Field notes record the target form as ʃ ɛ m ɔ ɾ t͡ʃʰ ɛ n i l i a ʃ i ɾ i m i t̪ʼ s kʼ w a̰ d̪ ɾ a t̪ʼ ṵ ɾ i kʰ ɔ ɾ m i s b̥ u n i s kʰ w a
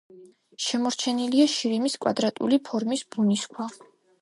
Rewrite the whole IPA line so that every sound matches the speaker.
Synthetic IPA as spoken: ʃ ɛ m ɔ ɾ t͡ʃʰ ɛ n i l i a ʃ i ɾ i m i s kʼ w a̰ d̪ ɾ a t̪ʼ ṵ l i pʰ ɔ ɾ m i s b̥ u n i s kʰ w a